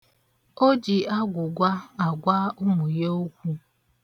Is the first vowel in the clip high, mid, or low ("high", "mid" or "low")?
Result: mid